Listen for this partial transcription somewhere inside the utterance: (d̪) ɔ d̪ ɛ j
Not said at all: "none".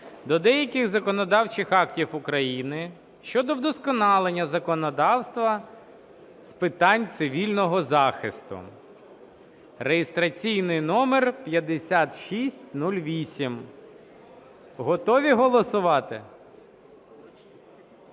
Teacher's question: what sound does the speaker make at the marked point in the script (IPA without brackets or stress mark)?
d̪